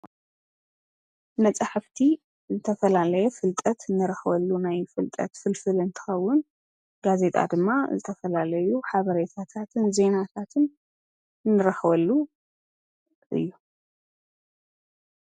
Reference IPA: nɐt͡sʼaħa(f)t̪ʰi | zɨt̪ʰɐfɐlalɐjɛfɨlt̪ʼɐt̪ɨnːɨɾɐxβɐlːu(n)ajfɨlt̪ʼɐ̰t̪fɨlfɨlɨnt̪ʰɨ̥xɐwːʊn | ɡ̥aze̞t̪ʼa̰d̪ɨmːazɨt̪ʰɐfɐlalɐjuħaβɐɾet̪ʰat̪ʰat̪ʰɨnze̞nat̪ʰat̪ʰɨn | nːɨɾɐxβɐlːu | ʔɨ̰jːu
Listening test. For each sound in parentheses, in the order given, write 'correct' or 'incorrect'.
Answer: correct, correct

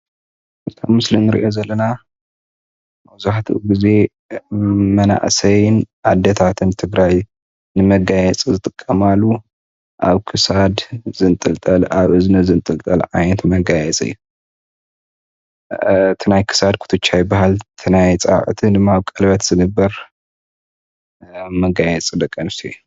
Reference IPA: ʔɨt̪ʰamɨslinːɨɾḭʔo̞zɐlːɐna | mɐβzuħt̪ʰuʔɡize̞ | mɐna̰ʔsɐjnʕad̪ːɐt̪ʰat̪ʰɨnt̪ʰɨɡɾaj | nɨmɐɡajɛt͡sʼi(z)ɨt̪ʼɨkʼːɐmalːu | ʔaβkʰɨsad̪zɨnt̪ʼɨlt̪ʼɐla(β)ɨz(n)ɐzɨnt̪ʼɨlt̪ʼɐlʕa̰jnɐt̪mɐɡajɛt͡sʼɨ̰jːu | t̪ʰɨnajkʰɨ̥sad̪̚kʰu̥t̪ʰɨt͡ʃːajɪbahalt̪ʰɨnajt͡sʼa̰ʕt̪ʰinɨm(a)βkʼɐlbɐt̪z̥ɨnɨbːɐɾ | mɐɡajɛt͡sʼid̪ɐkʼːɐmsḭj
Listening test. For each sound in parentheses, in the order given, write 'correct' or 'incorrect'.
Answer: correct, correct, correct, correct

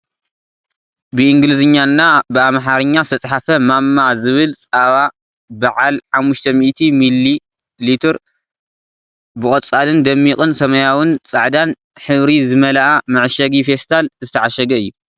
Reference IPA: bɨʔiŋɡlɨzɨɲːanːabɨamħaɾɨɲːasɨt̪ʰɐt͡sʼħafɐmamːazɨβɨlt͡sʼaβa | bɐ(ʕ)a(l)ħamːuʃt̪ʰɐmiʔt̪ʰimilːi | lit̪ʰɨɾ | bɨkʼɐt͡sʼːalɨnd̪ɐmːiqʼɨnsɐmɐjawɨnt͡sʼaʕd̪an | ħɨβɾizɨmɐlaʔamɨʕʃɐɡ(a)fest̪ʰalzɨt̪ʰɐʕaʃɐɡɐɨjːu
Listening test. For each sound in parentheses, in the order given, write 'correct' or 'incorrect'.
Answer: correct, correct, incorrect

